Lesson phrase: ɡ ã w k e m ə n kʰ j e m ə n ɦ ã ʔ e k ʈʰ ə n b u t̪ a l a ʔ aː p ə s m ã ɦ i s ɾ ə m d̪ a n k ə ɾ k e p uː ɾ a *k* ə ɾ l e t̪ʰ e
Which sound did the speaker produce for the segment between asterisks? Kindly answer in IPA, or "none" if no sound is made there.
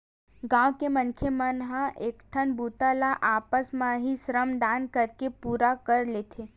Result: k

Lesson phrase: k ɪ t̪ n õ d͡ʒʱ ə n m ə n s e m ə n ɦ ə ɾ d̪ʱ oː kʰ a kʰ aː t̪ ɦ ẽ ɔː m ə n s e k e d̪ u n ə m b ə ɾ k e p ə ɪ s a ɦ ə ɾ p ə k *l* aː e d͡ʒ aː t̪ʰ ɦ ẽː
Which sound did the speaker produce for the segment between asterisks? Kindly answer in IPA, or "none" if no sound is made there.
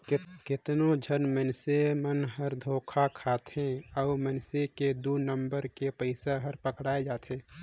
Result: ɽ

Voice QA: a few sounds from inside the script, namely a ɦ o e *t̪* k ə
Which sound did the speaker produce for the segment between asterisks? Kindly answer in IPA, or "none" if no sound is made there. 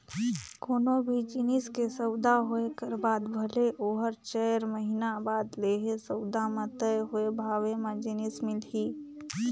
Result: none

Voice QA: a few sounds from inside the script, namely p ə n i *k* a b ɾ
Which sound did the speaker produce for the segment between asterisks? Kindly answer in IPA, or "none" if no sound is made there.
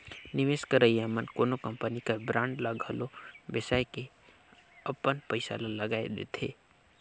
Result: k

